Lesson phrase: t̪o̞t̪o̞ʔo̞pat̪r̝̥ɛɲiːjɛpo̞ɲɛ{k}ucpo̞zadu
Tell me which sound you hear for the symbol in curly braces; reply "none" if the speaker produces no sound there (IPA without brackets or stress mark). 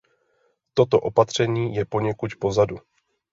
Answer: k